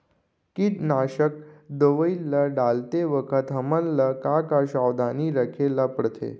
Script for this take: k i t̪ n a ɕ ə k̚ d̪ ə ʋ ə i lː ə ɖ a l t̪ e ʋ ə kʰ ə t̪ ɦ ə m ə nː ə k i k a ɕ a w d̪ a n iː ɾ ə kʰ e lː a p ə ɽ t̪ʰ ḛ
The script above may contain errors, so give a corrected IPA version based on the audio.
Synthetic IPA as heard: k i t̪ n a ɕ ə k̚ d̪ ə ʋ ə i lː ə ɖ a l t̪ e ʋ ə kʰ ə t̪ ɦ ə m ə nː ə k a k a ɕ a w d̪ a n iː ɾ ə kʰ e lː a p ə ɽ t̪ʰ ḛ